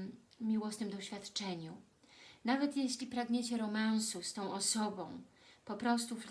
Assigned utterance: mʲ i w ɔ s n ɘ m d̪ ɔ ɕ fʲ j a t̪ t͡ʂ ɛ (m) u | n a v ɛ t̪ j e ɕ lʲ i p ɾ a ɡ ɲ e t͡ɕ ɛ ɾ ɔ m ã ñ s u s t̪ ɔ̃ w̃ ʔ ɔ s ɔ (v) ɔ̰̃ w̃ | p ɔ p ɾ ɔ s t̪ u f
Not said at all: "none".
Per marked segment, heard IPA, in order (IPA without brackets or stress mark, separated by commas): ɲ, b